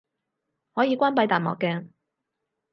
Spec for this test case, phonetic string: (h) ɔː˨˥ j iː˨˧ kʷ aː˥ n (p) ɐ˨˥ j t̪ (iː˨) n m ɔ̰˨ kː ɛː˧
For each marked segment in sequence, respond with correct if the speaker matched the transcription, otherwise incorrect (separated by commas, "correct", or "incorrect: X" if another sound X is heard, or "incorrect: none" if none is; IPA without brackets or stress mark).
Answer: correct, correct, incorrect: aː˨